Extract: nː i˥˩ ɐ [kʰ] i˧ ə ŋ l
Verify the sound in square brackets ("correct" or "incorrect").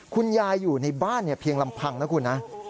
incorrect